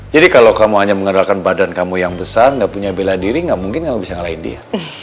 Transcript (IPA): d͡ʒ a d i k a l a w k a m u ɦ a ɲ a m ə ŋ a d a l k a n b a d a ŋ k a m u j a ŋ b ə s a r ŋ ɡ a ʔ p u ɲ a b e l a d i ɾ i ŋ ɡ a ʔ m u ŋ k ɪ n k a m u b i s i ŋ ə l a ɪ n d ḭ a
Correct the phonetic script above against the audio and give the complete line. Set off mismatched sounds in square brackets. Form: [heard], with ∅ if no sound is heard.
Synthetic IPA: d͡ʒ a d i k a l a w k a m u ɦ a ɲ a m ə ŋ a d a l k a n b a d a [n] k a m u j a ŋ b ə s a r ŋ ɡ a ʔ p u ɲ a b e l a d i ɾ i ŋ ɡ a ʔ m u ŋ k ɪ n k a m u b i s [a] ŋ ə l a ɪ n d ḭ a